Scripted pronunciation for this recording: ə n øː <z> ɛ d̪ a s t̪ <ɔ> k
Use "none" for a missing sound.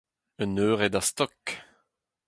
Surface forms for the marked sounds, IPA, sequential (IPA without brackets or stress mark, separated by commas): ʁ, ɔ